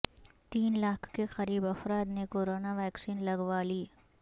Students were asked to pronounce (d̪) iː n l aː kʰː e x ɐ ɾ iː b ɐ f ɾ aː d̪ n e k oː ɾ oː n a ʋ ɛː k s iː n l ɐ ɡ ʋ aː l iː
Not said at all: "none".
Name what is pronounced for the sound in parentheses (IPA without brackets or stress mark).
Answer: t̪